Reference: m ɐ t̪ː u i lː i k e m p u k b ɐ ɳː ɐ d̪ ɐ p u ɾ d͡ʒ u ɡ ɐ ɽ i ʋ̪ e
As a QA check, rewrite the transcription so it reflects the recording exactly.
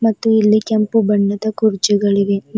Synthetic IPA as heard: m ɐ t̪ː u i lː i k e m p u b ɐ ɳː ɐ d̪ ɐ k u ɾ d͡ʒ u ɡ ɐ ɭ i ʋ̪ e